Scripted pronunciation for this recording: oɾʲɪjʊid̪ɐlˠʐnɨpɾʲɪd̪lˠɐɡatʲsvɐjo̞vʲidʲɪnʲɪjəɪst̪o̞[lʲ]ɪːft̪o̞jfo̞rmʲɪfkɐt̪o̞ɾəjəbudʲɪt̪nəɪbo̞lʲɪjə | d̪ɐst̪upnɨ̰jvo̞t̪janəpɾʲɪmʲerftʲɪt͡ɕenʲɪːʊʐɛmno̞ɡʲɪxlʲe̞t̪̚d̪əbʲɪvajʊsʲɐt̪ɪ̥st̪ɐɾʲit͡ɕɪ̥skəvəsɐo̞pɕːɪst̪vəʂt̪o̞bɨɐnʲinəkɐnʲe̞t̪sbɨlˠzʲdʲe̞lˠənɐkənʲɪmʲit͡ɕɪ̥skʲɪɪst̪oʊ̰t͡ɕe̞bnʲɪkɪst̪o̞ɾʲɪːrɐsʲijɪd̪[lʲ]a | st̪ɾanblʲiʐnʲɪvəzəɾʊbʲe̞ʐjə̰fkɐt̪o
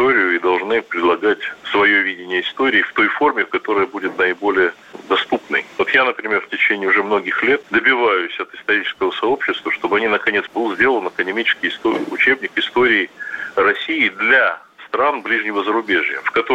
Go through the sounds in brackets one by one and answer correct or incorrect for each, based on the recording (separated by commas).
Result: incorrect, correct